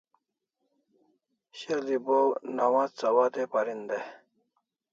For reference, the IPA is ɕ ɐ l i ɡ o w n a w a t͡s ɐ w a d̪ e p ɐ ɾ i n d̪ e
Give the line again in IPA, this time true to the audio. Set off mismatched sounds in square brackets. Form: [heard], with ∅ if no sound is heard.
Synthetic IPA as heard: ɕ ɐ l i [b] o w n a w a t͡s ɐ w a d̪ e p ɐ ɾ i n d̪ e